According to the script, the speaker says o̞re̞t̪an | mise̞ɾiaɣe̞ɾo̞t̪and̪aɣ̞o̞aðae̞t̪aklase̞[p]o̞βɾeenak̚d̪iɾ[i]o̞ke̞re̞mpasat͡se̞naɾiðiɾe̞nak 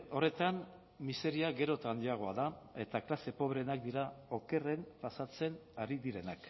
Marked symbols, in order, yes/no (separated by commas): yes, no